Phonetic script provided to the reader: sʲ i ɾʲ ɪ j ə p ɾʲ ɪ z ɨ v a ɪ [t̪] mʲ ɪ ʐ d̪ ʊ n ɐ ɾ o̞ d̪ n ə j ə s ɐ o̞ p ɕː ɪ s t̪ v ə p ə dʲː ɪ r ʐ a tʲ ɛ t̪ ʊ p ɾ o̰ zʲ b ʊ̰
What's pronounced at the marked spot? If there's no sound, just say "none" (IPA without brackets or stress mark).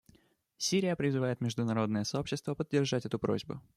t̪